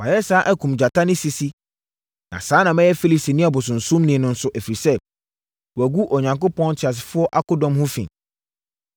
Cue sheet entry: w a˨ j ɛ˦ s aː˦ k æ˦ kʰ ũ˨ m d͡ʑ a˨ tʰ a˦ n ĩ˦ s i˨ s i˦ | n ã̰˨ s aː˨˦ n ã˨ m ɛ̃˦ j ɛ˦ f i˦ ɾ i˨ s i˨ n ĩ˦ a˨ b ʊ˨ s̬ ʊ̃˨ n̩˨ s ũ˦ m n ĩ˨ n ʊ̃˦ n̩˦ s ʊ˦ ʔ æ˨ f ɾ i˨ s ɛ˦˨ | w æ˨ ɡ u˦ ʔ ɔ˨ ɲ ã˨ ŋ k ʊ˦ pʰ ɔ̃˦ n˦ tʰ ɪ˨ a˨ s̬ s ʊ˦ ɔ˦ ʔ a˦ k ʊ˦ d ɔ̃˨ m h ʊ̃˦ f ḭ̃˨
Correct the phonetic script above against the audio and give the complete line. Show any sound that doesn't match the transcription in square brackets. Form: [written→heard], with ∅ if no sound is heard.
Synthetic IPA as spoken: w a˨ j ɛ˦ s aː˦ [k→ʔ] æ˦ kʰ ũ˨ m d͡ʑ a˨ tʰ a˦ n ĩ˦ s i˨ s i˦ | n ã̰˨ s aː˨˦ n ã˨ m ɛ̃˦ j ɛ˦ f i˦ [ɾ→l] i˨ s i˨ n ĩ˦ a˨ b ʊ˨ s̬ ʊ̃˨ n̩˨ s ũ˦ m n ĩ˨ n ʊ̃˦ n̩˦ s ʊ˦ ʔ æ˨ f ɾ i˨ s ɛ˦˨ | w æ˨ ɡ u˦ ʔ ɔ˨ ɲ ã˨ ŋ k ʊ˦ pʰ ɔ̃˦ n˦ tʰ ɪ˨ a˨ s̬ [s→f] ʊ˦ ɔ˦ ʔ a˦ k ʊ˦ d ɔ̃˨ m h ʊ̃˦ f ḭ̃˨